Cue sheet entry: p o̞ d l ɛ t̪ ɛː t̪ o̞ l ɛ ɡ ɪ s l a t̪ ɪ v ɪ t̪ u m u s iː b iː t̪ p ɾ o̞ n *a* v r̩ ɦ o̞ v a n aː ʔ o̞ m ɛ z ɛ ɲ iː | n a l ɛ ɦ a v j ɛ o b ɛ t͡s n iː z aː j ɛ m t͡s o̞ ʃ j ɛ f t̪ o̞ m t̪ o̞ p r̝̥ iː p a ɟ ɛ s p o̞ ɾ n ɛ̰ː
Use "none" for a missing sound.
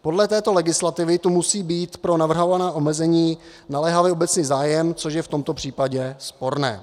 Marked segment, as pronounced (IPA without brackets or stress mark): a